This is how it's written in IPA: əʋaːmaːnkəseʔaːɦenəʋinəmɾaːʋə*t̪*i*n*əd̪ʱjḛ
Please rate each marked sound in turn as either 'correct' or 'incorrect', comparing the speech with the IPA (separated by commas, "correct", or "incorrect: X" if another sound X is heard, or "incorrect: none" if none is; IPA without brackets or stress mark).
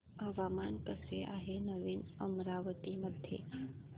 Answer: correct, incorrect: m